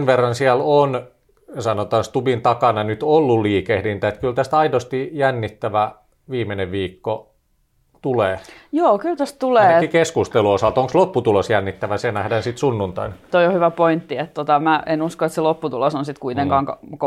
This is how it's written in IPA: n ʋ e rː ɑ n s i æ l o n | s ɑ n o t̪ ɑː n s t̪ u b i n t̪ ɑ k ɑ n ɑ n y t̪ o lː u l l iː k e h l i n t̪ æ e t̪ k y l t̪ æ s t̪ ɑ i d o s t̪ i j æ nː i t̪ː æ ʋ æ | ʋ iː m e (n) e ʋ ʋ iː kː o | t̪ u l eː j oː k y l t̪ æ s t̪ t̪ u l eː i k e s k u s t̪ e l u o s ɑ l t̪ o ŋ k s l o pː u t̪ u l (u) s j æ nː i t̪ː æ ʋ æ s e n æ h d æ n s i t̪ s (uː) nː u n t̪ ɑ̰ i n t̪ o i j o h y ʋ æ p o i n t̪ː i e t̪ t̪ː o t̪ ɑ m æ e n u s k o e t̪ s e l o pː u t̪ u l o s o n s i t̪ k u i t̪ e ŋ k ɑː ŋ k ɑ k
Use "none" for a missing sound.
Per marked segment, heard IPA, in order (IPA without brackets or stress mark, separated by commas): n, o, u